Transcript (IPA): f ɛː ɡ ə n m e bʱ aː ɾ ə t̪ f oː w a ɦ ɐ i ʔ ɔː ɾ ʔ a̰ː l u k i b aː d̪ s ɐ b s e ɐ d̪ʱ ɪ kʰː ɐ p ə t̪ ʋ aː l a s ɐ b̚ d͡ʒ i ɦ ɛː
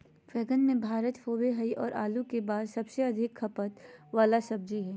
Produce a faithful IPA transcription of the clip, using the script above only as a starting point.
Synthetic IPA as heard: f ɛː ɡ ə n m ẽ bʱ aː ɾ ə t̪ f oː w e ɦ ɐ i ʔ ɔː ɾ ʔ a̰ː l u k e b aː d̪ s ɐ b s e ɐ d̪ʱ ɪ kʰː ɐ p ə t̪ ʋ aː l a s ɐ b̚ d͡ʒ i ɦ ɛː

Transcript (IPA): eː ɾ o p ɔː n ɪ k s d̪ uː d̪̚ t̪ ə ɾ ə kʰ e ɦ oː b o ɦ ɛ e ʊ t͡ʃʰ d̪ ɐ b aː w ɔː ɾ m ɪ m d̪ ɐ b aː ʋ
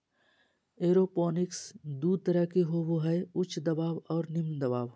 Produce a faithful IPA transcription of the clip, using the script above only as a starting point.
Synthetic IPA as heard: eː ɾ o p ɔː n ɪ k s d̪ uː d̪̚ t̪ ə ɾ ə k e ɦ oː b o ɦ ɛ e ʊ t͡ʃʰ d̪ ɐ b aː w ɔː ɾ n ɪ m d̪ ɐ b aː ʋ

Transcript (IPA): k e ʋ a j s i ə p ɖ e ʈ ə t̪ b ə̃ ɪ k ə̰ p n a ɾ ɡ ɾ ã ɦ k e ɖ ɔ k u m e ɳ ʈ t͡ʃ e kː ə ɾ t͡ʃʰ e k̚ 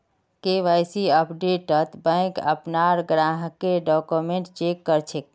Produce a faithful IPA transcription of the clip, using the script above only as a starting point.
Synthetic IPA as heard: k e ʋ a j s i ə p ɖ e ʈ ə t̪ b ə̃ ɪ k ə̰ p n a ɾ ɡ ɾ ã ɦ k e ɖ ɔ k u m e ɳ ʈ t͡ʃ e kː ə ɾ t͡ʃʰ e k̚

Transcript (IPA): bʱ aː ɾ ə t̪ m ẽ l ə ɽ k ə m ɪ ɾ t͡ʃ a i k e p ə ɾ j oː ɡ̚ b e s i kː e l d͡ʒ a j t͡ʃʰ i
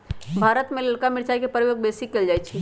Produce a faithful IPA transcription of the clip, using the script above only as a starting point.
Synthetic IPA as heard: bʱ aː ɾ ə t̪ m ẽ l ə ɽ k a m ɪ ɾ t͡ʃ a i k e p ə ɾ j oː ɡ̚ b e s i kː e l d͡ʒ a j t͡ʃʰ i

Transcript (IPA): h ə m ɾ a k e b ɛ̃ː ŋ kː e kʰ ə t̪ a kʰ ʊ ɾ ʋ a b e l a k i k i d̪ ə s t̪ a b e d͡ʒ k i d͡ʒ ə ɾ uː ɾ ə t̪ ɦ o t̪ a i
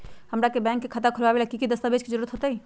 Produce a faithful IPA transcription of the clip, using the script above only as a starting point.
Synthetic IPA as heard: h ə m ɾ a k e b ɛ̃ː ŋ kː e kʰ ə t̪ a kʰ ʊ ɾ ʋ a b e l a k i k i d̪ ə s t̪ a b e d͡ʒ k i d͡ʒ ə ɾ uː ɾ ə t̪ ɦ o t̪ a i

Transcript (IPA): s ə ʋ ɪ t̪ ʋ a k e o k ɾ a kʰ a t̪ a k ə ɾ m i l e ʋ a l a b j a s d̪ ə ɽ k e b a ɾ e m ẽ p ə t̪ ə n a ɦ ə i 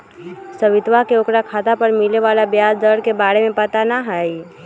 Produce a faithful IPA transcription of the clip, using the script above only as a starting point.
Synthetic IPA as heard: s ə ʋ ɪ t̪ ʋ a k e o k ɾ a kʰ a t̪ a p ə ɾ m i l e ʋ a l a b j a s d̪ ə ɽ k e b a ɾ e m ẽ p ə t̪ a n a ɦ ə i

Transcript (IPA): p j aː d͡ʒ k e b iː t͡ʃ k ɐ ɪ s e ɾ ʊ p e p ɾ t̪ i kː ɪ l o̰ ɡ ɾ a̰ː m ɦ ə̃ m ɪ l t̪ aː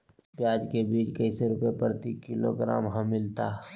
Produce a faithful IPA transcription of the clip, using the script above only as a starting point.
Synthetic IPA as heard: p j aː d͡ʒ k e b iː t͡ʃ k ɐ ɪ s e ɾ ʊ p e p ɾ t̪ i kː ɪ l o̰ ɡ ɾ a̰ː m ɦ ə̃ m ɪ l t̪ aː

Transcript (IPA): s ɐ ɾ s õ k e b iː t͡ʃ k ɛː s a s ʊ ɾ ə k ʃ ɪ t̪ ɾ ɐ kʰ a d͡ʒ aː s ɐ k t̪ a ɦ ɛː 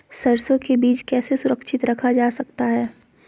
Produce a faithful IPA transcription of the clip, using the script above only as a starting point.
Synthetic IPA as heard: s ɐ ɾ s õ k e b iː t͡ʃ k ɛː s e s ʊ ɾ ə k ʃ ɪ t̪ ɾ ɐ kʰ a d͡ʒ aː s ɐ k t̪ a ɦ ɛː

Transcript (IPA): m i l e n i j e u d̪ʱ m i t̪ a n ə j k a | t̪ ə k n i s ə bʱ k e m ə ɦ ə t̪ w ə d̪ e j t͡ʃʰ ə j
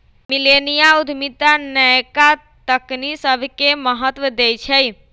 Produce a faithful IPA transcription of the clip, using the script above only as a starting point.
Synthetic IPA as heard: m i l e n i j a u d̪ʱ m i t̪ a n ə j k a | t̪ ə k n i s ə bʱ k e m ə ɦ ə t̪ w ə d̪ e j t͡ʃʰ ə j

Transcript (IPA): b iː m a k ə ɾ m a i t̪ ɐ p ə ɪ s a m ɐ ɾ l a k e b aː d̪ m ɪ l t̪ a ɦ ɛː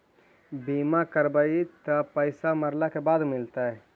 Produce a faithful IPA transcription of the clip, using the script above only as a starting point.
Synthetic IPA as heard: b iː m a k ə ɾ b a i t̪ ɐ p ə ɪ s a m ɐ ɾ l a k e b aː d̪ m ɪ l t̪ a ɦ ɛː

